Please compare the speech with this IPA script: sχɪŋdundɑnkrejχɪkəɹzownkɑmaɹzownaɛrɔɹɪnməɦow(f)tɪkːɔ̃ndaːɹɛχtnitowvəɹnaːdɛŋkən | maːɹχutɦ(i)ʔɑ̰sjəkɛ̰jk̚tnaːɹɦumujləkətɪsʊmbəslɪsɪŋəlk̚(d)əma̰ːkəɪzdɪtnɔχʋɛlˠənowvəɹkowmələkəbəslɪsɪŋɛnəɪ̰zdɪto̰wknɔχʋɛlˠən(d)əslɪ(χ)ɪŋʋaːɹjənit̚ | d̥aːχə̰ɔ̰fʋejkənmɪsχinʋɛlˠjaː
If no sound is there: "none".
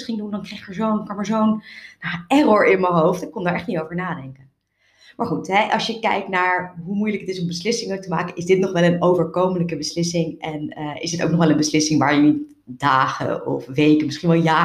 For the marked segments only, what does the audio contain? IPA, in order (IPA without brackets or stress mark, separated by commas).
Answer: f, ɛ, t, b, s